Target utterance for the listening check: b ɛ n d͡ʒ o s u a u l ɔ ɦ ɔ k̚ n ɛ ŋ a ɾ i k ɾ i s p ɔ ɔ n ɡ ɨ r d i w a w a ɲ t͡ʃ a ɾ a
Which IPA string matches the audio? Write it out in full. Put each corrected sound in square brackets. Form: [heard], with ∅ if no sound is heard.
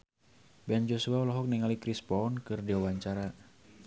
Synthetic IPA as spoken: b ɛ n d͡ʒ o s u a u l ɔ ɦ ɔ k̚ n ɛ ŋ a [l] i k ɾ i s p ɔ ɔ n [k] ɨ r d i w a w a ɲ t͡ʃ a ɾ a